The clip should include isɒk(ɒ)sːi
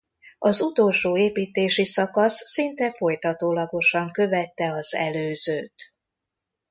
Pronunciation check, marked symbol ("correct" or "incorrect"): correct